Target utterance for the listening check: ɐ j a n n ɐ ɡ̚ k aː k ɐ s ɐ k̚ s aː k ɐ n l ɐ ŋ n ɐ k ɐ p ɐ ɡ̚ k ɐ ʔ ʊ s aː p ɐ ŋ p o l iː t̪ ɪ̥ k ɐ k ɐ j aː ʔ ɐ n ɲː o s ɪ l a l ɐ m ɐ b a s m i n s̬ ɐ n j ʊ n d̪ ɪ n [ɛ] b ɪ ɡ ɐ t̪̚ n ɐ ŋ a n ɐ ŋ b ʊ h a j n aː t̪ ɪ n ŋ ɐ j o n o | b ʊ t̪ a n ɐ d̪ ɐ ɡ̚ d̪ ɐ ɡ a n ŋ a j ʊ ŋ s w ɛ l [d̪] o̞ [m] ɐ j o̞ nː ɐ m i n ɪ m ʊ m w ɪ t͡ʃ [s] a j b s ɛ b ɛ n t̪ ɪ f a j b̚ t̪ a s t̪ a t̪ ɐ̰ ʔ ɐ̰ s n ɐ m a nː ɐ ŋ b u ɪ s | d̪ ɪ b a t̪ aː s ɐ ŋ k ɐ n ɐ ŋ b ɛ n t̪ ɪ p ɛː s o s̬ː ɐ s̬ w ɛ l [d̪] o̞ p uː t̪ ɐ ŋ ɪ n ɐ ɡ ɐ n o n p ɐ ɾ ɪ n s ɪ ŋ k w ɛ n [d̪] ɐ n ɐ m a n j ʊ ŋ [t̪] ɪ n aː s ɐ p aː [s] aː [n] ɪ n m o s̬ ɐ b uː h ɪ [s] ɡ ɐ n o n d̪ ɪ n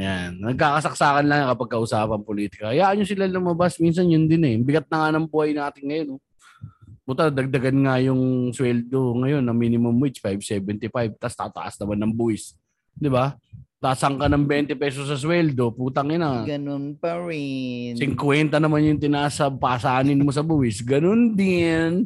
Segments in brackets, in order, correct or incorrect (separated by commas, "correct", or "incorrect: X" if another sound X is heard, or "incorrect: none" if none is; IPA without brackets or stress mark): correct, correct, incorrect: ŋ, incorrect: f, correct, incorrect: t̪, correct, correct, correct, correct